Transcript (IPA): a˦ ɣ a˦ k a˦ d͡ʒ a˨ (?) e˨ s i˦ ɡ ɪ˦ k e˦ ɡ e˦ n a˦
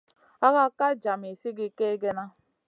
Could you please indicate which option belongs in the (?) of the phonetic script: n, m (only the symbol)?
m